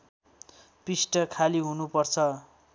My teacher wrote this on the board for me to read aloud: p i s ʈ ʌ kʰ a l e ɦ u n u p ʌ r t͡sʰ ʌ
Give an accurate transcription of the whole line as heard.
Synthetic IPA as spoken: p i s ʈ ʌ kʰ a l i ɦ u n u p ʌ r t͡sʰ ʌ